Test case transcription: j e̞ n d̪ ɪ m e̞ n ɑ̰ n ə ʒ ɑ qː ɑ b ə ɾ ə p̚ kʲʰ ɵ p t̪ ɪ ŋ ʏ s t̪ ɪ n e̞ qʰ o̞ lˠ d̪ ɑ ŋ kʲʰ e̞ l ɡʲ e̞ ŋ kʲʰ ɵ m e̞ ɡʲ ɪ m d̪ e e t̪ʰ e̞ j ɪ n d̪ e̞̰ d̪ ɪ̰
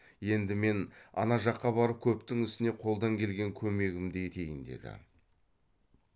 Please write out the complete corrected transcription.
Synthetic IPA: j e̞ n d̪ ɪ m e̞ n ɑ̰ n ɑ ʒ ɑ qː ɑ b ɑ ɾ ə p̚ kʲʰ ɵ p t̪ ɪ ŋ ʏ s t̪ ɪ n e̞ qʰ o̞ lˠ d̪ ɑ ŋ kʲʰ e̞ l ɡʲ e̞ ŋ kʲʰ ɵ m e̞ ɡʲ ɪ m d̪ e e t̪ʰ e̞ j ɪ n d̪ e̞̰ d̪ ɪ̰

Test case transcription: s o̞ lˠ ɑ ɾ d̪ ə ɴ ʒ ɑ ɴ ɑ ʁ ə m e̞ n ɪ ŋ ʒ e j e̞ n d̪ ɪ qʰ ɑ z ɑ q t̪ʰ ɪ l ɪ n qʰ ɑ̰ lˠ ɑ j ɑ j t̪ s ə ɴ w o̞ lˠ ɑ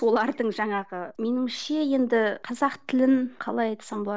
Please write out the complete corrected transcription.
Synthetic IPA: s o̞ lˠ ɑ ɾ d̪ ə ɴ ʒ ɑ ɴ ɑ ʁ ə m e̞ n ɪ ŋ ʃ e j e̞ n d̪ ɪ qʰ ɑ z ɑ q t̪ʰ ɪ l ɪ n qʰ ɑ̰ lˠ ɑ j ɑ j t̪ s ɑ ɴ b o̞ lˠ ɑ

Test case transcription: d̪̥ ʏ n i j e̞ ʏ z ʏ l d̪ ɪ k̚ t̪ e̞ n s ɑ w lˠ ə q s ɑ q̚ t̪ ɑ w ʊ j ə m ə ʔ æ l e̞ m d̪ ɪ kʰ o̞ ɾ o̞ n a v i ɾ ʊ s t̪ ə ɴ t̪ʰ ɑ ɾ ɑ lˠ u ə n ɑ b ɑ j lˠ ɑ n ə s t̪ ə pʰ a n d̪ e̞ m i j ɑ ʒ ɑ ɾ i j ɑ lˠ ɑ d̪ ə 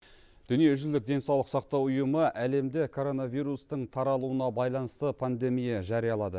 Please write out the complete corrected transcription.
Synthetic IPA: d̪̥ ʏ n i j e̞ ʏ ʒ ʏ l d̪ ɪ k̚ d̪ e̞ n s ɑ w lˠ ə q s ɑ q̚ t̪ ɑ w ʊ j ə m ə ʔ æ l e̞ m d̪ ɪ kʰ o̞ ɾ o̞ n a v i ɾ u s t̪ ə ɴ t̪ʰ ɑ ɾ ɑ lˠ u ə n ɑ b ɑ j lˠ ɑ n ə s t̪ ə pʰ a n d̪ e̞ m i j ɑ ʒ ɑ ɾ i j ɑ lˠ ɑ d̪ ə

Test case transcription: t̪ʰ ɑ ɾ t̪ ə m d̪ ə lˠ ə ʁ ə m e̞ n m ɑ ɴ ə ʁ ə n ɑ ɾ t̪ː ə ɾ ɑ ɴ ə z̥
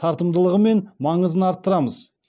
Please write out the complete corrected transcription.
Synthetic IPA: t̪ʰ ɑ ɾ t̪ ə m d̪ ə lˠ ə ʁ ə m e̞ n m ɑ ɴ ə z ə n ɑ ɾ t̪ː ə ɾ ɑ m ə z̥

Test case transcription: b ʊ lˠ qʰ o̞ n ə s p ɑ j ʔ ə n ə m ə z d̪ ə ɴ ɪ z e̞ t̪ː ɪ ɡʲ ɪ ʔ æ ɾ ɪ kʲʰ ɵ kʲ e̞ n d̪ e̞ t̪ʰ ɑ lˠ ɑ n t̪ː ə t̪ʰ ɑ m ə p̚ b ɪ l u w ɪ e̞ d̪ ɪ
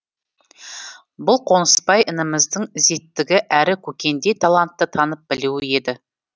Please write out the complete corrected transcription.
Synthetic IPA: b ʊ lˠ qʰ o̞ n ə s p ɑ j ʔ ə n ə m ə z d̪ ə ɴ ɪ z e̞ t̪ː ɪ ɡʲ ɪ ʔ æ ɾ ɪ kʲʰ ɵ kʲ e̞ n d̪ e̞ t̪ʰ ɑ lˠ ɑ n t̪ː ə t̪ʰ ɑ n ə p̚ b ɪ l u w ɪ e̞ d̪ ɪ

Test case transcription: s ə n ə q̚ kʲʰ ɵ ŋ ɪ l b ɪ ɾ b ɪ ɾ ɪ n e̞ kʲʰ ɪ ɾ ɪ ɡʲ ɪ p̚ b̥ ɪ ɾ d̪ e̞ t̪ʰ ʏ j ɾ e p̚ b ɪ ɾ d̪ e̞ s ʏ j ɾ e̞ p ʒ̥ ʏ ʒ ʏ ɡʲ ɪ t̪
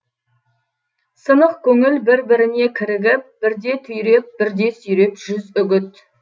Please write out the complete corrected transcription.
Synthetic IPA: s ə n ə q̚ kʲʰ ɵ ŋ ɪ l b ɪ ɾ b ɪ ɾ ɪ n e̞ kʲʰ ɪ ɾ ɪ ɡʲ ɪ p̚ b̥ ɪ ɾ d̪ e̞ t̪ʰ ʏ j ɾ e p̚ b ɪ ɾ d̪ e̞ s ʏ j ɾ e̞ p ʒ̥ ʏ z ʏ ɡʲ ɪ t̪

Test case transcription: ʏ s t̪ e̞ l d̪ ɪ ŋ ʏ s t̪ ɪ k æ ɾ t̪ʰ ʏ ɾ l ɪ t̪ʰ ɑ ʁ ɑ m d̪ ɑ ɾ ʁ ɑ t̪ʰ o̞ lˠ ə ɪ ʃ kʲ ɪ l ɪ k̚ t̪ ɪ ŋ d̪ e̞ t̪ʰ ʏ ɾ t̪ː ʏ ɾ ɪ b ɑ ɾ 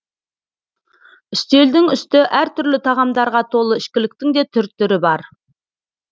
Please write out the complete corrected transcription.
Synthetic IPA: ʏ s t̪ e̞ l d̪ ɪ ŋ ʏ s t̪ ɪ ʔ æ ɾ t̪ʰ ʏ ɾ l ɪ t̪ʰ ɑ ʁ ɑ m d̪ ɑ ɾ ʁ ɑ t̪ʰ o̞ lˠ ə ɪ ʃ kʲ ɪ l ɪ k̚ t̪ ɪ ŋ d̪ e̞ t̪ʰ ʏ ɾ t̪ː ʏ ɾ ɪ b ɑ ɾ

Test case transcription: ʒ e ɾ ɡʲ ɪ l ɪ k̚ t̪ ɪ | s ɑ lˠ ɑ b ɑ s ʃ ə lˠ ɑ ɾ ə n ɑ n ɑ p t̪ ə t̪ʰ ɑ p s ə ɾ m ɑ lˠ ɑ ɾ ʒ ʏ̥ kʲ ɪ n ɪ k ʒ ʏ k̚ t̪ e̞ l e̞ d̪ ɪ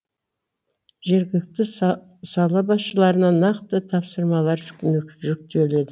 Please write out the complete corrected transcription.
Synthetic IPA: ʒ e ɾ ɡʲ ɪ l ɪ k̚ t̪ ɪ | s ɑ lˠ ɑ b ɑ s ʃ ə lˠ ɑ ɾ ə n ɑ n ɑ q t̪ ə t̪ʰ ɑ p s ə ɾ m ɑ lˠ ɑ ɾ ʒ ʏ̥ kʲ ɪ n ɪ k ʒ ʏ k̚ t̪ e̞ l e̞ d̪ ɪ

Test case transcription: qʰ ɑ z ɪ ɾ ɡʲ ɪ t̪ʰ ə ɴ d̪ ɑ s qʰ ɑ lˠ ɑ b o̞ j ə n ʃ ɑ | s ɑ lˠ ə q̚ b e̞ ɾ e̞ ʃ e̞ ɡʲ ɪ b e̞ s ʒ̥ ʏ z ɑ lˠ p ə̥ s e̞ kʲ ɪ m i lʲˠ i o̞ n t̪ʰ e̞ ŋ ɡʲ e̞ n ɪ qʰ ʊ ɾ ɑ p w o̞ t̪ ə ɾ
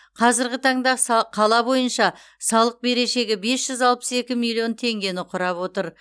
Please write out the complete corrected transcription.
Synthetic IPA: qʰ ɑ z ɪ ɾ ɡʲ ɪ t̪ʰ ɑ ɴ d̪ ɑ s qʰ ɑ lˠ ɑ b o̞ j ə n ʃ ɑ | s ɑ lˠ ə q̚ b e̞ ɾ e̞ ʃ e̞ ɡʲ ɪ b e̞ s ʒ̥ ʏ z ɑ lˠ p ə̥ s e̞ kʲ ɪ m i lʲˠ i o̞ n t̪ʰ e̞ ŋ ɡʲ e̞ n ɪ qʰ ʊ ɾ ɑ p w o̞ t̪ ə ɾ

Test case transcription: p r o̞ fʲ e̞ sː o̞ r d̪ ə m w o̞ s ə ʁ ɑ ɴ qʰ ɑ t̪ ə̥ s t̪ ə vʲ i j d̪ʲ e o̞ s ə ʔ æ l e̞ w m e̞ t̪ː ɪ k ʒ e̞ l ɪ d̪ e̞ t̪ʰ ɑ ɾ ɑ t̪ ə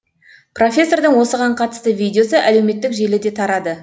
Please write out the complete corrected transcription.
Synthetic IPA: p r o̞ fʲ e̞ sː o̞ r d̪ ə ɴ w o̞ s ə ʁ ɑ ɴ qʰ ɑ t̪ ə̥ s t̪ ə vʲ i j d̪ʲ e o̞ s ə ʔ æ l e̞ w m e̞ t̪ː ɪ k ʒ e̞ l ɪ d̪ e̞ t̪ʰ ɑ ɾ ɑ d̪ ə

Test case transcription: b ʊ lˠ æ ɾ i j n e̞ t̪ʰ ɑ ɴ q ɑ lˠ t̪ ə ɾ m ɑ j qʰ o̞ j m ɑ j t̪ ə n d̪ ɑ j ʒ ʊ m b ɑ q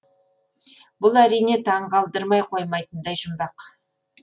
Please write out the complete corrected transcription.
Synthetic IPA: b ʊ lˠ æ ɾ i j n e̞ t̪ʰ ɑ ɴ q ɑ lˠ d̪ ə ɾ m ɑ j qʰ o̞ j m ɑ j t̪ ə n d̪ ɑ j ʒ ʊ m b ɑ q

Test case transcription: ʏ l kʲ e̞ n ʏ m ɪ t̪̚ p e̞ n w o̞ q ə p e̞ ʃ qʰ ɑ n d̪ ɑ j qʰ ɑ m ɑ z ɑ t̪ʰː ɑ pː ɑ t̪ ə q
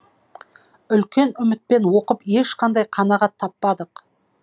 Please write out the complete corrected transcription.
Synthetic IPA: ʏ l kʲ e̞ n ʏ m ɪ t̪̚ p e̞ n w o̞ q ə p e̞ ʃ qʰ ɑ n d̪ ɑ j qʰ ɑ n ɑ ʁ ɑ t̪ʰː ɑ pː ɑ d̪ ə q

